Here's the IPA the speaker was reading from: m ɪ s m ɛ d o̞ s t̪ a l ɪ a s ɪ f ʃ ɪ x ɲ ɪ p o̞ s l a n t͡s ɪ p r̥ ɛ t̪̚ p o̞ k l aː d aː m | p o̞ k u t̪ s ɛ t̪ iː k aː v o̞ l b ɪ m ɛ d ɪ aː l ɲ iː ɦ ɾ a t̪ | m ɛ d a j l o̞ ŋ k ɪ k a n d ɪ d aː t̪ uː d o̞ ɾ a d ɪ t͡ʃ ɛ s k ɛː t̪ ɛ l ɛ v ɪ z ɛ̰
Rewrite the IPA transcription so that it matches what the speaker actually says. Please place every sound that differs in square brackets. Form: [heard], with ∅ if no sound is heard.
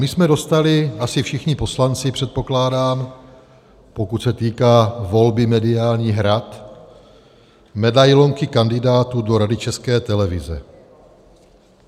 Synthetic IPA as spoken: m ɪ s m ɛ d o̞ s t̪ a l ɪ a s ɪ f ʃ ɪ x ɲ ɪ p o̞ s l a n t͡s ɪ p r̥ ɛ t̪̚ p o̞ k l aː d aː m | p o̞ k u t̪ s ɛ t̪ iː k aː v o̞ l b ɪ m ɛ d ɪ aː l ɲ iː ɦ ɾ a t̪ | m ɛ d a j l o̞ ŋ k ɪ k a n d ɪ d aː t̪ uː d o̞ ɾ a d ɪ t͡ʃ ɛ s k ɛː t̪ ɛ l ɛ v ɪ z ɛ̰